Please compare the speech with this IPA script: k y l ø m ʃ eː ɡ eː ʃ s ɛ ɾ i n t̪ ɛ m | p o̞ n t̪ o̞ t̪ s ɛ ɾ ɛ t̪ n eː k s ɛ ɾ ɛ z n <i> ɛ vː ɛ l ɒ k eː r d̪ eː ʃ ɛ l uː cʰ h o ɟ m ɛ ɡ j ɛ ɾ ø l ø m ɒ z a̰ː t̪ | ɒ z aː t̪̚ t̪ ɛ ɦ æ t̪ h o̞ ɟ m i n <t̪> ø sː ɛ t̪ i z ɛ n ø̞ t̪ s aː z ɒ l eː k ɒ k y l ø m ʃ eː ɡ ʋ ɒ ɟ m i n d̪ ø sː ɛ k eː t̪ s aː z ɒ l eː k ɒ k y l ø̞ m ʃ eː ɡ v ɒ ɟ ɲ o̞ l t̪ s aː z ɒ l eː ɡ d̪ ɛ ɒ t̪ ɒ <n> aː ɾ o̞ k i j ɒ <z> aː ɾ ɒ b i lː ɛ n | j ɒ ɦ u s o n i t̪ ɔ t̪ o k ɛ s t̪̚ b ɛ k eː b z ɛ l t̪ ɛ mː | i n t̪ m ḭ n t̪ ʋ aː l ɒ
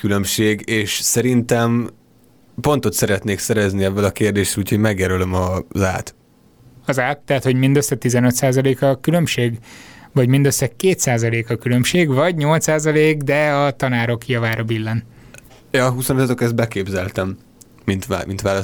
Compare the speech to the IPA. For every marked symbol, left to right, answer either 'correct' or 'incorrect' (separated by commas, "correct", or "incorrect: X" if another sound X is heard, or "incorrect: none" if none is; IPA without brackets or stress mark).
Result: correct, incorrect: d̪, correct, incorrect: v